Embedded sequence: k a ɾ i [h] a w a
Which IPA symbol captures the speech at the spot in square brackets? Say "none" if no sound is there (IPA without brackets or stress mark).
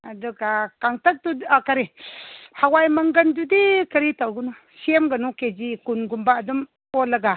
h